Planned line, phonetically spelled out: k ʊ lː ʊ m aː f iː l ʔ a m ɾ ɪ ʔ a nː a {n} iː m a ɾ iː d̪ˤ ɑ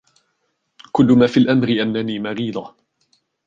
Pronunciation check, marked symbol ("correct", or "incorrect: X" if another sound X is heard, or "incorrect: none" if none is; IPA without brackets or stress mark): correct